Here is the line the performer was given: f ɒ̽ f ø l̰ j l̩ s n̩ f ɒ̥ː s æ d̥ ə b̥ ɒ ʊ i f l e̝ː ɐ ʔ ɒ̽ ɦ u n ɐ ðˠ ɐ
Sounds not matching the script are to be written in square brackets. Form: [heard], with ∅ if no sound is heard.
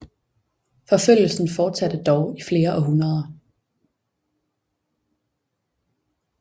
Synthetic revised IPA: f ɒ̽ f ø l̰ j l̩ s n̩ f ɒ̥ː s æ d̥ ə [d̥] ɒ ʊ i f l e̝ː ɐ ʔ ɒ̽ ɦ u n ɐ ðˠ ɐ